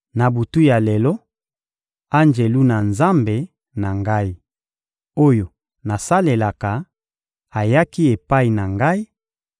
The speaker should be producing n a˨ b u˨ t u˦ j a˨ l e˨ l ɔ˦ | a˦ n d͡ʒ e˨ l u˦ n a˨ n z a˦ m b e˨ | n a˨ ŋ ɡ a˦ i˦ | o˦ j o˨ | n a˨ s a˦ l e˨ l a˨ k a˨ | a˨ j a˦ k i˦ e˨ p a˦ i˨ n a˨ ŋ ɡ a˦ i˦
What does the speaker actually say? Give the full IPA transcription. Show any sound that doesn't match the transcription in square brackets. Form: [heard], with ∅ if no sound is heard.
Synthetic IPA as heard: n a˨ b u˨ t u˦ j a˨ l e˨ l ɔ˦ | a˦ n d͡ʒ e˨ l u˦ n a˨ n z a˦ m b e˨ | n a˨ ŋ ɡ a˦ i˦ | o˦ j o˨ | n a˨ s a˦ l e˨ l a˨ k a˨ | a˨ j a˦ k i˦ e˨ p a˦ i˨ n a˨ ŋ ɡ a˦ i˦